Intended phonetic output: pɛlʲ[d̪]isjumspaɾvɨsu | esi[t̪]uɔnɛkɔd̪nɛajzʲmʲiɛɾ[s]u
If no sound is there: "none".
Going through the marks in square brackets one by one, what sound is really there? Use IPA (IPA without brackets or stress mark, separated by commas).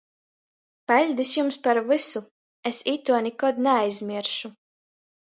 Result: d̪, t̪, ʃ